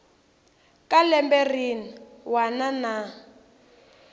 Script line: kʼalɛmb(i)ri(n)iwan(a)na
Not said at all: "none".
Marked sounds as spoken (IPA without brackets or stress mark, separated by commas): ɛ, n, a